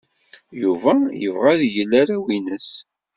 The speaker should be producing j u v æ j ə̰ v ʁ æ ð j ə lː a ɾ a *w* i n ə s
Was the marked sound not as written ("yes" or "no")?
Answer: no